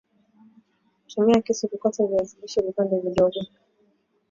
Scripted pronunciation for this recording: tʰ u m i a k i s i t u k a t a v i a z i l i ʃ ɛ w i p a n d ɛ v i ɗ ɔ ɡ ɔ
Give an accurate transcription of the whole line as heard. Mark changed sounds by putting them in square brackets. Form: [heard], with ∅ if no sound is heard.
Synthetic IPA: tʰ u m i a k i s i [k] u k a t a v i a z i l i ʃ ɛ [v] i p a n d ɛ v i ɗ ɔ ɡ ɔ